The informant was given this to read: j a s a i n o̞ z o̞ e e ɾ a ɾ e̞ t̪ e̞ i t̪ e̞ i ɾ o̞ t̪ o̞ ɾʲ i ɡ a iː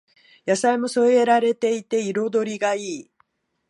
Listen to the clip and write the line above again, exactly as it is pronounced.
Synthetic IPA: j a s a i m o̞ s o̞ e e ɾ a ɾ e̞ t̪ e̞ i t̪ e̞ i ɾ o̞ d̪ o̞ ɾʲ i ɡ a iː